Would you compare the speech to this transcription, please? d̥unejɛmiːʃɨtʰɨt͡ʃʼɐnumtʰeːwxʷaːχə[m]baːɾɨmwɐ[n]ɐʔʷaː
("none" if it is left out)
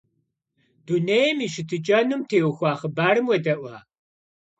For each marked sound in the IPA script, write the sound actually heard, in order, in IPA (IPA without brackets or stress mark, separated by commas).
none, d